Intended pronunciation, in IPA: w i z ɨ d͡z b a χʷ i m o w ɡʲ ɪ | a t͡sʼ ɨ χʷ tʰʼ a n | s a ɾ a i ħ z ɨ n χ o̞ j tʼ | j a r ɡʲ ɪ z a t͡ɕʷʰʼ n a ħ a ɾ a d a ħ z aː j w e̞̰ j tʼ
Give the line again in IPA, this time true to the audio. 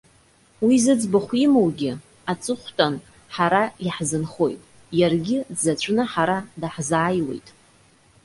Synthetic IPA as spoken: w i z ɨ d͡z b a χʷ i m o w ɡʲ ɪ | a t͡sʼ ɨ χʷ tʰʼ a n | ħ a ɾ a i ħ z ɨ n χ o̞ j tʼ | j a r ɡʲ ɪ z a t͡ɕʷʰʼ n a ħ a ɾ a d a ħ z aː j w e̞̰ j tʼ